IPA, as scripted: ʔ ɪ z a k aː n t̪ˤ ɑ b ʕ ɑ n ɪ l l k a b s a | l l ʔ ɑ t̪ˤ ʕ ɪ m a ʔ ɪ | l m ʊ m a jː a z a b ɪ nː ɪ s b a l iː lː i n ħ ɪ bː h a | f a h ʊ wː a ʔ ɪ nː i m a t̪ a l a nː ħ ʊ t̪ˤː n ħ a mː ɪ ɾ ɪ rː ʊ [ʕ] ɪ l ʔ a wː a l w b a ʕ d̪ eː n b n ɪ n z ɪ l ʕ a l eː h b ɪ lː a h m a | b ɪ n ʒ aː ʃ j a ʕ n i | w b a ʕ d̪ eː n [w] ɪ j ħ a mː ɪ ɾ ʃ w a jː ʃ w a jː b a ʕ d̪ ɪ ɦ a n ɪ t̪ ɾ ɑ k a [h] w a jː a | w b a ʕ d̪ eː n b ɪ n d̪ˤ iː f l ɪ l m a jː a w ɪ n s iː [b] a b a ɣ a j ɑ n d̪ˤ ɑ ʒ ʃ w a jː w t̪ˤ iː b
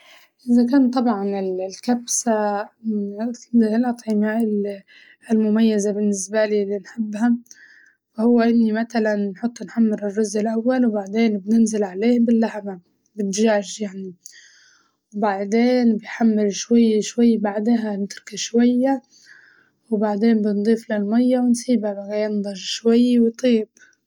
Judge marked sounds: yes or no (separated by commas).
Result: no, no, no, yes